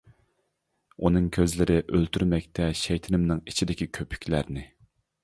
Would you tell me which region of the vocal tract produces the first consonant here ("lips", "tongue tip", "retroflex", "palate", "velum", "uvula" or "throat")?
tongue tip